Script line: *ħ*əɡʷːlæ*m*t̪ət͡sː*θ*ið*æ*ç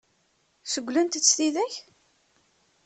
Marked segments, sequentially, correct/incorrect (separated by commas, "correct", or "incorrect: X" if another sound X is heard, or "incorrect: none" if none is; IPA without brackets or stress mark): incorrect: s, incorrect: n, correct, correct